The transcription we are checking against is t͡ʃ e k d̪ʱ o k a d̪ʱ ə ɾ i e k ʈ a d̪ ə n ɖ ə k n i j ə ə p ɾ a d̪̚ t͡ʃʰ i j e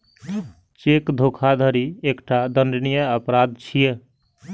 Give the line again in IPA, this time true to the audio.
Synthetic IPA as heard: t͡ʃ e k d̪ʱ o kʰ a d̪ʱ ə ɾ i e k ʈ a d̪ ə n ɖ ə n i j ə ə p ɾ a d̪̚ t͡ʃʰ i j e

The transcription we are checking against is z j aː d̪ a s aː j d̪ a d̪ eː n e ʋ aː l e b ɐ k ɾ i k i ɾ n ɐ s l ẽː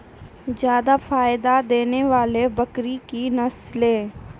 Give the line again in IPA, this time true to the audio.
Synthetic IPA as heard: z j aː d̪ a f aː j d̪ a d̪ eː n e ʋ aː l e b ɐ k ɾ i k i n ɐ s l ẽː

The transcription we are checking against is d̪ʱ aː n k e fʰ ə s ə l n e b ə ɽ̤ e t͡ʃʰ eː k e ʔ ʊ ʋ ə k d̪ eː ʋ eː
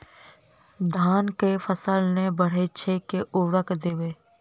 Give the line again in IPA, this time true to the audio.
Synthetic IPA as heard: d̪ʱ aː n k e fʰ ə s ə l n e b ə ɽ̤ e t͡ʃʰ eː k e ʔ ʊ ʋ ə k d̪ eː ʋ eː

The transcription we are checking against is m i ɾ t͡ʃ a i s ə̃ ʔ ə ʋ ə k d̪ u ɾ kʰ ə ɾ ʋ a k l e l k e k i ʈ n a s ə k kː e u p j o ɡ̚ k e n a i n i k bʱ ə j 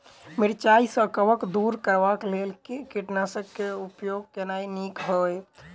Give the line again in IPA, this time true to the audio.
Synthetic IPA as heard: m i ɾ t͡ʃ a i s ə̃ k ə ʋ ə k d̪ u ɾ k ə ɾ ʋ a k l e l k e k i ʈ n a s ə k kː e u p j o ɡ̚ k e n a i n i k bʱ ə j

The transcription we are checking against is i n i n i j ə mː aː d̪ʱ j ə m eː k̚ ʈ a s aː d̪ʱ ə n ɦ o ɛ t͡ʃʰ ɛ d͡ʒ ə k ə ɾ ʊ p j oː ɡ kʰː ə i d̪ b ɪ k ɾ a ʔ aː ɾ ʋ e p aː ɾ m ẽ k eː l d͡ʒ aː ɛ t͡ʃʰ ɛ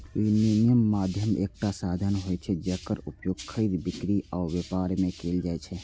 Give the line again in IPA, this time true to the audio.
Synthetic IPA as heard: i n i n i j ə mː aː d̪ʱ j ə m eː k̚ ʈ a s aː d̪ʱ ə n ɦ o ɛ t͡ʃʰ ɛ d͡ʒ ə k ə ɾ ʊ p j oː ɡ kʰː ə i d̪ b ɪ k ɾ i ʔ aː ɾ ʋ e p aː ɾ m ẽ k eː l d͡ʒ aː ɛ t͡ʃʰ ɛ

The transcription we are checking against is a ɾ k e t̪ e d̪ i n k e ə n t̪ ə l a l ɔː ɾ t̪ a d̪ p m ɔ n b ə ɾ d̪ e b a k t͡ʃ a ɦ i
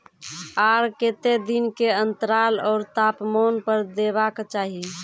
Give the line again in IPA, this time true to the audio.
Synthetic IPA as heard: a ɾ k e t̪ e d̪ i n k e ə n t̪ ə ɾ a l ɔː ɾ t̪ a p m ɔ n p ə ɾ d̪ e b a k t͡ʃ a ɦ i

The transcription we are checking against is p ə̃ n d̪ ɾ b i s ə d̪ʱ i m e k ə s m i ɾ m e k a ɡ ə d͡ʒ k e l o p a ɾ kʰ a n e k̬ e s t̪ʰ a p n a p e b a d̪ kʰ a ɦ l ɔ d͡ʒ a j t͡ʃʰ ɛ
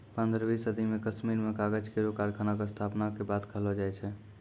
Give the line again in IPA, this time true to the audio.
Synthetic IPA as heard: p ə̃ n d̪ ɾ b i s ə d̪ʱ i m e k ə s m i ɾ m e k a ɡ ə d͡ʒ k e ɾ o k a ɾ kʰ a n a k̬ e s t̪ʰ a p n a k e b a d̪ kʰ ə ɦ l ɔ d͡ʒ a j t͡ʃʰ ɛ

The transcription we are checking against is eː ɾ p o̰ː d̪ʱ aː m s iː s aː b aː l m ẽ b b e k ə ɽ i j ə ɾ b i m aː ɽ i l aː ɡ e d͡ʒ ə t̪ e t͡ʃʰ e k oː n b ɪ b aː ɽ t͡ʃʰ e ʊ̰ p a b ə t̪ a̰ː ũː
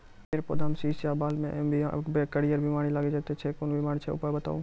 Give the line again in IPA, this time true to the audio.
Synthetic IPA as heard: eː ɾ p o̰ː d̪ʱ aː m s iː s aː b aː l m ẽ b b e k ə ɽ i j ə ɾ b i m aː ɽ i l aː ɡ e d͡ʒ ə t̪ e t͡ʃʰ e k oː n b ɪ m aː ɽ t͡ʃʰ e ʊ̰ p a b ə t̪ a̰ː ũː

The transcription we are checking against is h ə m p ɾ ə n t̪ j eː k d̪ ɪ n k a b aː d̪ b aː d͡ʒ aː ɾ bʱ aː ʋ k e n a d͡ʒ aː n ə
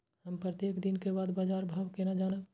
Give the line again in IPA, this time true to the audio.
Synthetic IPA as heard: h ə m p ɾ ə t̪ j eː k d̪ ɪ n k e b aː d̪ b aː d͡ʒ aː ɾ bʱ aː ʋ k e n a d͡ʒ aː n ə

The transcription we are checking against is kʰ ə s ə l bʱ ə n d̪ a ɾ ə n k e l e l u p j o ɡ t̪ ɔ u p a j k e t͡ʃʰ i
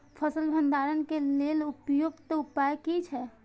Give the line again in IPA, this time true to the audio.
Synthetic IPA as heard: pʰ ə s ə l bʱ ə n d̪ a ɾ ə n k e l e l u p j o ɡ t̪ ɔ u p a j k i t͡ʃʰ ɛ

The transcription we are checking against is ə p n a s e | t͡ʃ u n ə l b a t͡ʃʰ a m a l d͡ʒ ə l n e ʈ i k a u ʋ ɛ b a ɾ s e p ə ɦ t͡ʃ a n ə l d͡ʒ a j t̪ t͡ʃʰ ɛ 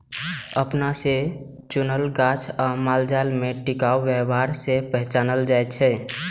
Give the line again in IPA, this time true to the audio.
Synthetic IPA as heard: ə p n a s e | t͡ʃ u n ə l ɡ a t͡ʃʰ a m a l d͡ʒ a l m e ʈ i k a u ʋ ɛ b a ɾ s e p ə ɦ t͡ʃ a n ə l d͡ʒ a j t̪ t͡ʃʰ ɛ

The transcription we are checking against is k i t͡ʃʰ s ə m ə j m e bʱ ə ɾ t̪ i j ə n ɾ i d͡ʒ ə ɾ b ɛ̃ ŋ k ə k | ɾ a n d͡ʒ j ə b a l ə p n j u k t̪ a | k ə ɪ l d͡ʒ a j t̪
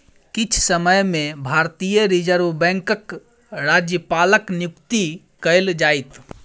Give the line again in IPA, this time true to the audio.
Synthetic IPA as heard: k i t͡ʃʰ s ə m ə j m e bʱ a ɾ t̪ i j ə ɾ i d͡ʒ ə ɾ b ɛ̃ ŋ k ə k | ɾ a d͡ʒ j ə p a l ə k n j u k t̪ i | k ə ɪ l d͡ʒ a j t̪

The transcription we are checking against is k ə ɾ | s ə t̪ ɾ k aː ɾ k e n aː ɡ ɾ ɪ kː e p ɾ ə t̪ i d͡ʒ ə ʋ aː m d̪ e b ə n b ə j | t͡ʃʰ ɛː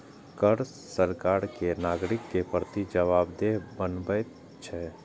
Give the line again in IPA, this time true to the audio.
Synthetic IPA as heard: k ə ɾ | s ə ɾ k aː ɾ k e n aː ɡ ɾ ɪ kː e p ɾ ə t̪ i d͡ʒ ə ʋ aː b d̪ e b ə n b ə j | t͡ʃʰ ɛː

